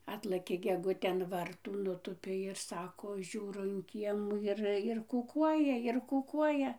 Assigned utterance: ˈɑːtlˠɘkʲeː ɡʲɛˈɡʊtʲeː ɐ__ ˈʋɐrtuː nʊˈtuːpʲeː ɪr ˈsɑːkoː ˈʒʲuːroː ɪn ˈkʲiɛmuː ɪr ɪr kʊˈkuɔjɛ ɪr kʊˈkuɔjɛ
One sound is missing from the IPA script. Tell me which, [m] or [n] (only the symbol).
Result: n